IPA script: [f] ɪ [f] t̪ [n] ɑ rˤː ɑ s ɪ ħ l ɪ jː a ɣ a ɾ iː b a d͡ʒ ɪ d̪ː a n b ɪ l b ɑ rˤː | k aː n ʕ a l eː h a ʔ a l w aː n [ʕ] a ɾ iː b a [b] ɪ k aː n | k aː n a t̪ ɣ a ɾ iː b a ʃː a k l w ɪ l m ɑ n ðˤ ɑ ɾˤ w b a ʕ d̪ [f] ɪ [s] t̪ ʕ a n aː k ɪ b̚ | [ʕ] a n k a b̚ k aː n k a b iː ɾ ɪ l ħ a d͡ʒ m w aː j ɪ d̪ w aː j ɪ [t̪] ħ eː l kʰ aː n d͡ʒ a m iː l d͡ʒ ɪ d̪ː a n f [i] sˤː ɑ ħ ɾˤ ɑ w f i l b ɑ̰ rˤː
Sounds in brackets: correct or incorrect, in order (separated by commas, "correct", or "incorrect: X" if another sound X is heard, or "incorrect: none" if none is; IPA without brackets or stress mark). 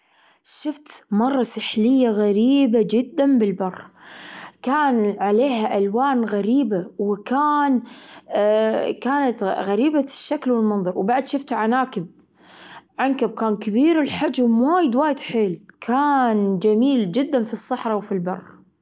incorrect: ʃ, correct, incorrect: m, incorrect: ɣ, incorrect: w, incorrect: ʃ, incorrect: f, correct, incorrect: d̪, correct